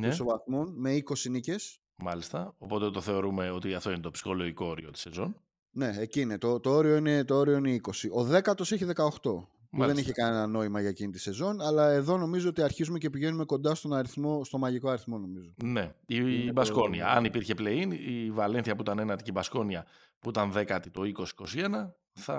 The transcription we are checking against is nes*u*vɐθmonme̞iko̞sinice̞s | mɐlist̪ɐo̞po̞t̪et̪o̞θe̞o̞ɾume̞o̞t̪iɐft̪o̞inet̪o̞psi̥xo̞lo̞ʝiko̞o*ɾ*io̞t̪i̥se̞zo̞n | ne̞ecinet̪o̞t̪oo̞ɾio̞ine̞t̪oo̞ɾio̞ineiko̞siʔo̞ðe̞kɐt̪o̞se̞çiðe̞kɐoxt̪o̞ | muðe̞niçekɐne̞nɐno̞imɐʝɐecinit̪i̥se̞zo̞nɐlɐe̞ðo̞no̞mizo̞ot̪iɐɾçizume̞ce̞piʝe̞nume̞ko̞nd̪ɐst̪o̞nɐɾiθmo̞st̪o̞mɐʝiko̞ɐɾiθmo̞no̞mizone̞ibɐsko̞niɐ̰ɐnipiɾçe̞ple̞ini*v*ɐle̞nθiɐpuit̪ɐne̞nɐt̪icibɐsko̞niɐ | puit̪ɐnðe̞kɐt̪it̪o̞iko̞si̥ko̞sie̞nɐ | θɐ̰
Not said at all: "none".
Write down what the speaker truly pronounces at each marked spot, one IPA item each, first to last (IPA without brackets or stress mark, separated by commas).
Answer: o, ɾ, v